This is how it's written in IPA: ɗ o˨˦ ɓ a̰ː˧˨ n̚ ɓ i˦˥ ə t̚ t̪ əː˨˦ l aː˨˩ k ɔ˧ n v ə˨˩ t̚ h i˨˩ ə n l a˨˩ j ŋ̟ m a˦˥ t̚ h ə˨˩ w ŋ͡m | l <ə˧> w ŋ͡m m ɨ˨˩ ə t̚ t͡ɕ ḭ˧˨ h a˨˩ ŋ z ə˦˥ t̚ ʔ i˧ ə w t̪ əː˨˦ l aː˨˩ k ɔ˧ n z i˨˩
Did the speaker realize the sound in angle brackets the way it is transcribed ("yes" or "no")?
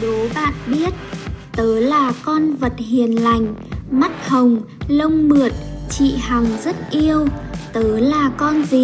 yes